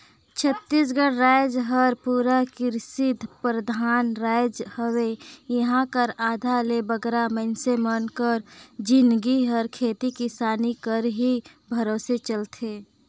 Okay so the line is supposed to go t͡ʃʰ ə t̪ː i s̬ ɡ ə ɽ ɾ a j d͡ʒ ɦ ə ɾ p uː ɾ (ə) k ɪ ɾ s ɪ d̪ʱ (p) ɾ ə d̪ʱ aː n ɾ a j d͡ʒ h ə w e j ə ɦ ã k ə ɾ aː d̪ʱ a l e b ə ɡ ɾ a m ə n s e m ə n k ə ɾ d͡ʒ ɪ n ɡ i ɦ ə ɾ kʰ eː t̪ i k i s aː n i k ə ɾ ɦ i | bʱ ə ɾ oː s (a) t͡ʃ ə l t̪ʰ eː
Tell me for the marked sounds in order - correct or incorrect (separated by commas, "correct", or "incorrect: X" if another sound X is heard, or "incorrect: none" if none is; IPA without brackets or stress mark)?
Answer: incorrect: a, correct, incorrect: e